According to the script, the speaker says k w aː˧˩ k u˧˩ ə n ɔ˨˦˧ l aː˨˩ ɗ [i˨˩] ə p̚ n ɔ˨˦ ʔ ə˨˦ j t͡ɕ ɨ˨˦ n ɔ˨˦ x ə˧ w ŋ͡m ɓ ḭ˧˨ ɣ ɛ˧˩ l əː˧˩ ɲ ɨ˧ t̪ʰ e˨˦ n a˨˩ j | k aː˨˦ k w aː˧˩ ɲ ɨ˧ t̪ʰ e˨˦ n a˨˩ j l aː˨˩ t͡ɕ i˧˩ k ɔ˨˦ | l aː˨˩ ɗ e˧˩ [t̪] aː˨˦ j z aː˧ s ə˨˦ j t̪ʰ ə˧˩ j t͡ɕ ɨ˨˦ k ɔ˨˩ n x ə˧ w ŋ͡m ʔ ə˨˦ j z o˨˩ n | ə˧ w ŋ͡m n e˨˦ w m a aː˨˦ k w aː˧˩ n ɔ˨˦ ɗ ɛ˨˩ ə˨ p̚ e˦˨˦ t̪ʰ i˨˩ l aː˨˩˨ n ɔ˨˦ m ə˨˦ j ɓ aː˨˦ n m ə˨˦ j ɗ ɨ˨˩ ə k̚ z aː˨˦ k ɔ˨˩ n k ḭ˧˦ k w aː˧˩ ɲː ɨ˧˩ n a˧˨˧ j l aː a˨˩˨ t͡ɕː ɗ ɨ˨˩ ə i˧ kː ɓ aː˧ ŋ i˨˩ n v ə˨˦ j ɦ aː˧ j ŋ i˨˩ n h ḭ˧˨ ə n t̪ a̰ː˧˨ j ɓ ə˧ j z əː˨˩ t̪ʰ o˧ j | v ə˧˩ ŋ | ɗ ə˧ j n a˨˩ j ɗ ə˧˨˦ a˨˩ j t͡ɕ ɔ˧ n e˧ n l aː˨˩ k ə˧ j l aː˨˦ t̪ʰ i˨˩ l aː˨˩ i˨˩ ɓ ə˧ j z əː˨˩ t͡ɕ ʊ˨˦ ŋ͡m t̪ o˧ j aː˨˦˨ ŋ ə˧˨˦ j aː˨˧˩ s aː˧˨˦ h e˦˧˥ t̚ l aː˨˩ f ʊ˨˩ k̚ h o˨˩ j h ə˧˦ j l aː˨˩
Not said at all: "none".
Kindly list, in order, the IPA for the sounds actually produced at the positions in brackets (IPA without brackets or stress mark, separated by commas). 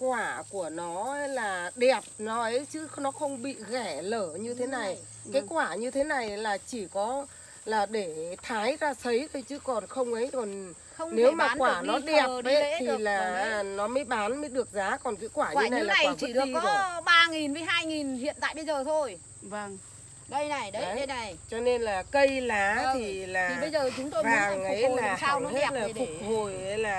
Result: ɛ˨˩, t̪ʰ